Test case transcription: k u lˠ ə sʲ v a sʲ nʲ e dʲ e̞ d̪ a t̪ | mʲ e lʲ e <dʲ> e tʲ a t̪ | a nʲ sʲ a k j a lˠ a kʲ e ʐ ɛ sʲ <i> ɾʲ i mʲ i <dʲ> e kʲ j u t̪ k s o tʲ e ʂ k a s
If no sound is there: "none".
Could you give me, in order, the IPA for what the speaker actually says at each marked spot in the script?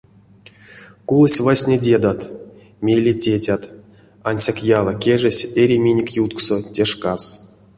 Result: tʲ, e, nʲ

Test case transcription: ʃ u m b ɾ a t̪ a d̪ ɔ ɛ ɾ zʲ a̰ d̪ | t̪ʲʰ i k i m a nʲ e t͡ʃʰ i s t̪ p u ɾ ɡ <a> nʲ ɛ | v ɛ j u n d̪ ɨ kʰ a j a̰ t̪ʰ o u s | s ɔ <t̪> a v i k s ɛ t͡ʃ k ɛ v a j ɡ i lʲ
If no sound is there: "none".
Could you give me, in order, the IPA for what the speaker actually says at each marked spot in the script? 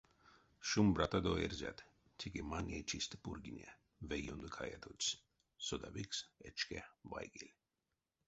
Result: i, d̪

